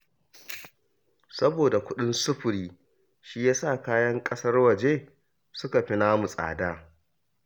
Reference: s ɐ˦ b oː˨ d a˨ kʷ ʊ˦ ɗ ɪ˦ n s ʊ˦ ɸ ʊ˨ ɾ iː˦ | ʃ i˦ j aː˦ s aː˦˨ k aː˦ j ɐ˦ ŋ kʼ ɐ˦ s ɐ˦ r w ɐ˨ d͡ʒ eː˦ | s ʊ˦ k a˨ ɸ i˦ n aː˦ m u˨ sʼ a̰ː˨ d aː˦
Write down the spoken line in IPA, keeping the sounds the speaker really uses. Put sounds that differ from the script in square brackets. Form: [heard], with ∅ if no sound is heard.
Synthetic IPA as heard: s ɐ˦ b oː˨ d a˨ kʷ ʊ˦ ɗ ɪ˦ n s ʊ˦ ɸ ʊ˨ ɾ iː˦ | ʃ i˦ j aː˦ s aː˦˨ k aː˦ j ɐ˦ ŋ kʼ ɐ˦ s ɐ˦ r w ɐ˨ d͡ʒ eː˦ | s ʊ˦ k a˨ ɸ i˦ n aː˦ m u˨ sʼ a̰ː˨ d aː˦